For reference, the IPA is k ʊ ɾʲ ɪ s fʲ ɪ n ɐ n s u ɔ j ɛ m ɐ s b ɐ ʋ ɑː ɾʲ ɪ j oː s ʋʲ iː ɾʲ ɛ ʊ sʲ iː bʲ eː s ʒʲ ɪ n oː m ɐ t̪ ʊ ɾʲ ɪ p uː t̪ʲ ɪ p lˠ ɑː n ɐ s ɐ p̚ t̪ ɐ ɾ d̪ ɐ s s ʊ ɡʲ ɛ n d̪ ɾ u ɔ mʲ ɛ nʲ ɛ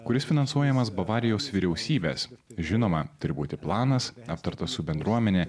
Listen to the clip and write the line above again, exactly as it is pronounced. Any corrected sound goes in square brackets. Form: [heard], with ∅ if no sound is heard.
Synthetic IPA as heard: k ʊ ɾʲ ɪ s fʲ ɪ n ɐ n s u ɔ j ɛ m ɐ s b ɐ ʋ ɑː ɾʲ ɪ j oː s ʋʲ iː ɾʲ ɛ ʊ sʲ iː bʲ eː s ʒʲ ɪ n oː m ɐ t̪ ʊ ɾʲ ɪ [b] uː t̪ʲ ɪ p lˠ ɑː n ɐ s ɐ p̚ t̪ ɐ ɾ [t̪] ɐ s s ʊ [bʲ] ɛ n d̪ ɾ u ɔ mʲ ɛ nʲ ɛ